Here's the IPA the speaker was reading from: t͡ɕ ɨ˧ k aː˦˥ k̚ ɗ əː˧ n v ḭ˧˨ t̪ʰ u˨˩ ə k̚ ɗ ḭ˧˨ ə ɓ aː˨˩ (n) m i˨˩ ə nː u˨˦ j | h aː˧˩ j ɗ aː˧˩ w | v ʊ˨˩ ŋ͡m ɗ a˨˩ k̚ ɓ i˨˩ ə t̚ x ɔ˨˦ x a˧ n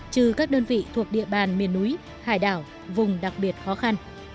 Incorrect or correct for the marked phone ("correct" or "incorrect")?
correct